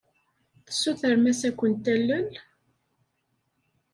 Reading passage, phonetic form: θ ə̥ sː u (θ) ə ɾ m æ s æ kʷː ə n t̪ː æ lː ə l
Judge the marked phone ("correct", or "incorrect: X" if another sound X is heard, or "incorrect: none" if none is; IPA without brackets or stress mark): correct